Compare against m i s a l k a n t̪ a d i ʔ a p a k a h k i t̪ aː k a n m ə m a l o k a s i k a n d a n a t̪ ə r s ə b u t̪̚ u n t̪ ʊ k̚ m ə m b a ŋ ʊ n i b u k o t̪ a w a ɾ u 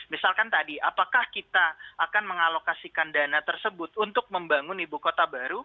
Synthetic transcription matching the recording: m i s a l k a n t̪ a d i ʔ a p a k a h k i t̪ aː k a n m ə ŋ a l o k a s i k a n d a n a t̪ ə r s ə b ʊ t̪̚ u n t̪ ʊ k̚ m ə m b a ŋ ʊ n i b u k o t̪ a b a ɾ u